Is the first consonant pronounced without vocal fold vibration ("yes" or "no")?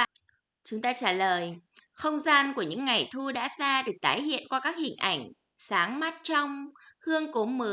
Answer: yes